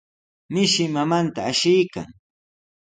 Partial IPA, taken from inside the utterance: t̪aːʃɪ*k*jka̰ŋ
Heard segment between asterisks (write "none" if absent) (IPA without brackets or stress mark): none